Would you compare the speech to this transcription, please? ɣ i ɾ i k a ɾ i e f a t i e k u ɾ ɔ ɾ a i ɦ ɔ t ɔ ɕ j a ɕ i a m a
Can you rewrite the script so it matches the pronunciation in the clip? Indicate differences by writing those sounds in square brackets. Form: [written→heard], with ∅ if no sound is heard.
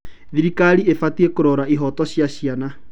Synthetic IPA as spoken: [ɣ→ð] i ɾ i k a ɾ i e f a t i e k [u→o] ɾ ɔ ɾ a i ɦ ɔ t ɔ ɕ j a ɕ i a [m→n] a